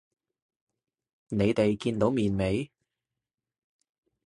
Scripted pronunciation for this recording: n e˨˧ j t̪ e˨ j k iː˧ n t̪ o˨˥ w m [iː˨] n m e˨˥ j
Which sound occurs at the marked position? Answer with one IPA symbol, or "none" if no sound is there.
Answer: iː˨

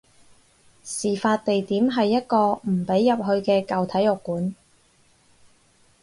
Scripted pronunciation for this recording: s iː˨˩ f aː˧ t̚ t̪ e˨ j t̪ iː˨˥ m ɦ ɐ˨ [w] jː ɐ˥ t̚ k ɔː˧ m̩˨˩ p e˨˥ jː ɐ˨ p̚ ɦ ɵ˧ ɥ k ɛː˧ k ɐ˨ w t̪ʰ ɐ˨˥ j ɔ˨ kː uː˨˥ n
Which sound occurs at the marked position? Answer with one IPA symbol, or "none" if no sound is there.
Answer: none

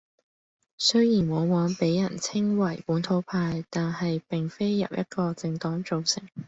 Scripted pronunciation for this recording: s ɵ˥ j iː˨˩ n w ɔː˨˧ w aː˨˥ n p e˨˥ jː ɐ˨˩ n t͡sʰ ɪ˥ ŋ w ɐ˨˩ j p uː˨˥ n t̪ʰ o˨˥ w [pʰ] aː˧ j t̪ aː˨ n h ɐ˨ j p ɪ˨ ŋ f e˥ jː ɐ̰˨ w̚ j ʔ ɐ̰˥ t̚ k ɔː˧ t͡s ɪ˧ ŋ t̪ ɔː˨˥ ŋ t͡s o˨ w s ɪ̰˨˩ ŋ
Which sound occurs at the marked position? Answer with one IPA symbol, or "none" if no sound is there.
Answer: pʰ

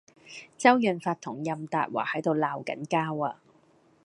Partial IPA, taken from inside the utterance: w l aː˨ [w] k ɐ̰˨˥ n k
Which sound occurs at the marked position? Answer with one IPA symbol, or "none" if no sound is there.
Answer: w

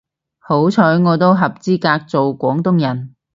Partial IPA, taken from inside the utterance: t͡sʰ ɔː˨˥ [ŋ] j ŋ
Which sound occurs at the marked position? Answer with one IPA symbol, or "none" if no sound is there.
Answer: none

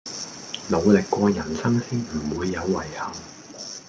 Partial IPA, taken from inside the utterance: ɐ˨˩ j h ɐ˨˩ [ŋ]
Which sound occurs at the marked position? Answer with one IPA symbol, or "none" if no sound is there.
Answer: ŋ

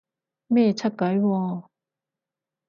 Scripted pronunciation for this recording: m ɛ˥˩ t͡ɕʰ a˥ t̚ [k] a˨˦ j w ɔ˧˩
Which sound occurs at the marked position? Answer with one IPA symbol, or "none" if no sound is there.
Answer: k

